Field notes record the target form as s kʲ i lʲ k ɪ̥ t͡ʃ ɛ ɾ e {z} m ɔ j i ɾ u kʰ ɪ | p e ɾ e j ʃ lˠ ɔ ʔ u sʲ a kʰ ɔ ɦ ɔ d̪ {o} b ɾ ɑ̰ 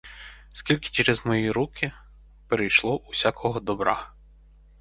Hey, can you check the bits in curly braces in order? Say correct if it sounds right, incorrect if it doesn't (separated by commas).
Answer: correct, incorrect